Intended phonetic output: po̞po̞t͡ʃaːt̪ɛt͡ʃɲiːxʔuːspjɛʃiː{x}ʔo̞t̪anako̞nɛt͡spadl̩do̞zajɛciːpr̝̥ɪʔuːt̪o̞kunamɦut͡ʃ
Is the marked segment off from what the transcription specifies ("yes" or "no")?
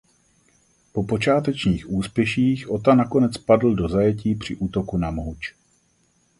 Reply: no